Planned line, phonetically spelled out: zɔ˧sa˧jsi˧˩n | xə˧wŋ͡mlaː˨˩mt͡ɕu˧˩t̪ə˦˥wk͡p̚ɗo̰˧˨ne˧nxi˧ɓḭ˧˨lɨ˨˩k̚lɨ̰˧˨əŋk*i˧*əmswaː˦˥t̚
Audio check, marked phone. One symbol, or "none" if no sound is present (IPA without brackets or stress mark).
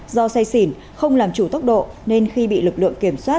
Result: i˧˩